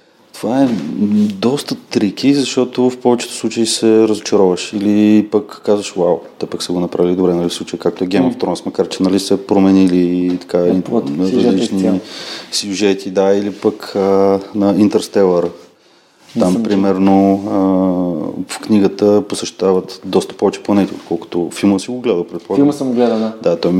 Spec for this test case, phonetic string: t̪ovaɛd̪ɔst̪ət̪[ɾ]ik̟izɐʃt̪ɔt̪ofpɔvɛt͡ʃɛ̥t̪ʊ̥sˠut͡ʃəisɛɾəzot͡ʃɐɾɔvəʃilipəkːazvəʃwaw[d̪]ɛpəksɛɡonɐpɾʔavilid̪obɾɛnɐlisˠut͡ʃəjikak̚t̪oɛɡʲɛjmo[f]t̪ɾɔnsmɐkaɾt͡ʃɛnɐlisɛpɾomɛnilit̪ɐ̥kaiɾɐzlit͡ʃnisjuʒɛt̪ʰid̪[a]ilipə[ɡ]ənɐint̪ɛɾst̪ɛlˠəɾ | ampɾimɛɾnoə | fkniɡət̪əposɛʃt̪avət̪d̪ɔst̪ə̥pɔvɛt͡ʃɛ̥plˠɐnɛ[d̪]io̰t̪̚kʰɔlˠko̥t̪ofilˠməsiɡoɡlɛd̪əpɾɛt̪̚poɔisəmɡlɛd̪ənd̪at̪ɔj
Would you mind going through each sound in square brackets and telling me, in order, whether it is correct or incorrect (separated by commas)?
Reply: correct, incorrect, correct, correct, incorrect, incorrect